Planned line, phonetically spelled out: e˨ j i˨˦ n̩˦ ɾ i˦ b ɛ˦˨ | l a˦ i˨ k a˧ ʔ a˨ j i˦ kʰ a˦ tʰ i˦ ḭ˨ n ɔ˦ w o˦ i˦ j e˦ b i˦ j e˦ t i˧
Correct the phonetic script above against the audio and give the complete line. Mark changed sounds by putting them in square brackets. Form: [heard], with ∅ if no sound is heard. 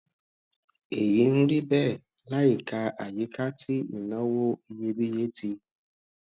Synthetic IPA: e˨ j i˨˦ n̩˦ ɾ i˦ b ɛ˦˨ | l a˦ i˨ k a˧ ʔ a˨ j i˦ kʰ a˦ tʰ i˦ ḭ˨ n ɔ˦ w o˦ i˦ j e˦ b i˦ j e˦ t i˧